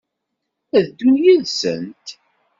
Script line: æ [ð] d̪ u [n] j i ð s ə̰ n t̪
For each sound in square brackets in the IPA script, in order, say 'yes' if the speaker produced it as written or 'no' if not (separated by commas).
yes, yes